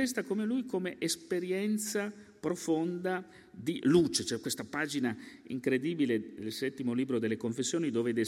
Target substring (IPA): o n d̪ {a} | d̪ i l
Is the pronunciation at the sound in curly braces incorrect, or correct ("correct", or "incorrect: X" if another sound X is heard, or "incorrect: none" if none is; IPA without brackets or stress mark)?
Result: correct